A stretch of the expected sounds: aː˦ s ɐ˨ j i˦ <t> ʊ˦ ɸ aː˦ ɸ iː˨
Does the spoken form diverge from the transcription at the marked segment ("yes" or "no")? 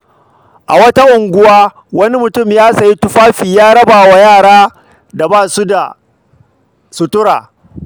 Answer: no